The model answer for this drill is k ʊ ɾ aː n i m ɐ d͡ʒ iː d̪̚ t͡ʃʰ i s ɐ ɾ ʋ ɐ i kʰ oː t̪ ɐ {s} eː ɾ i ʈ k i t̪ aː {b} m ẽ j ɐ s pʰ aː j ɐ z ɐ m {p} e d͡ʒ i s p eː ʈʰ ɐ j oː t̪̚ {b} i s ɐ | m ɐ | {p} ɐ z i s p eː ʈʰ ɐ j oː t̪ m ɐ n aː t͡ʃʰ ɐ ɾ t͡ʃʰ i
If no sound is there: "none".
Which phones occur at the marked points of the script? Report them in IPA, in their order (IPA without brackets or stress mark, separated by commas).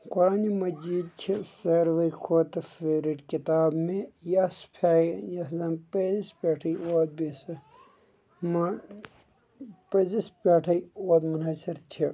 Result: f, b, p, b, p